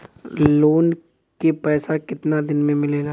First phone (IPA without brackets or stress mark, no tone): l